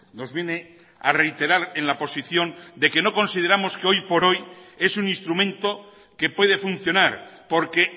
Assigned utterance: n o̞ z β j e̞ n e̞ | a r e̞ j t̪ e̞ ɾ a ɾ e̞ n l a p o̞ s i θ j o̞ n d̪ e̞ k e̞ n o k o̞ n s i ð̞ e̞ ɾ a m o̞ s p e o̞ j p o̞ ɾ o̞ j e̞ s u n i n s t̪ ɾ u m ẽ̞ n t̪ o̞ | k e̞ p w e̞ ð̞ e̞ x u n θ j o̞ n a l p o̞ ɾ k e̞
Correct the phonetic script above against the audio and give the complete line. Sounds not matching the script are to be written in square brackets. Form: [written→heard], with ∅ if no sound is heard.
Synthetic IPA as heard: n o̞ z β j e̞ n e̞ | a r e̞ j t̪ e̞ ɾ a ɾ e̞ n l a p o̞ s i θ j o̞ n d̪ e̞ k e̞ n o k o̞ n s i ð̞ e̞ ɾ a m o̞ s [p→k] e o̞ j p o̞ ɾ o̞ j e̞ s u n i n s t̪ ɾ u m ẽ̞ n t̪ o̞ | k e̞ p w e̞ ð̞ e̞ [x→f] u n θ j o̞ n a [l→ɾ] p o̞ ɾ k e̞